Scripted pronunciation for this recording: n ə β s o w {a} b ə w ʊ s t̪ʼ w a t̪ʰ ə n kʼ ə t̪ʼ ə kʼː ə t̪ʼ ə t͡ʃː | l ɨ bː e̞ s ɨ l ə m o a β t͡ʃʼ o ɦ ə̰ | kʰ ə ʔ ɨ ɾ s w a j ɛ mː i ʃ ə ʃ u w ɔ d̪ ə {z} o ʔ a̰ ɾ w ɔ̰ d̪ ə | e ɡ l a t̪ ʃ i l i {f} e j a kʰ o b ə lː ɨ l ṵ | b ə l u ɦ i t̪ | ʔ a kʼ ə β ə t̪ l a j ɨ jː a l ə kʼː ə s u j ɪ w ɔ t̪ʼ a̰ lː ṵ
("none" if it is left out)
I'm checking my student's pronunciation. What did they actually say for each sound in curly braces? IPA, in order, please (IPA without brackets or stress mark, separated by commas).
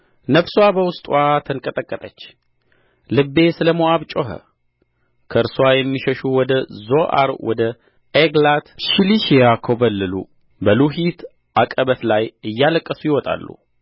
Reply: a, z, ʃ